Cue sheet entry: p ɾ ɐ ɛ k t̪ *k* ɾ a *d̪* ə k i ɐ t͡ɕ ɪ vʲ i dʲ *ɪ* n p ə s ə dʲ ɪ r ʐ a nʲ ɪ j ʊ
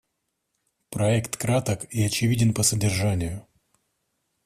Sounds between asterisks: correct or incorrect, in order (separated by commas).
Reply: correct, incorrect, correct